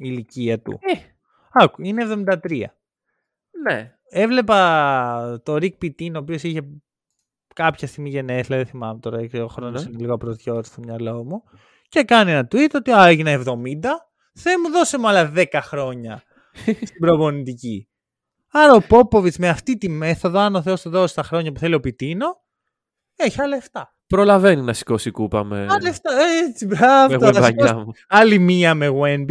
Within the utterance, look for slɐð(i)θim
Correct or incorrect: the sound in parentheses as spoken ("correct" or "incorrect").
incorrect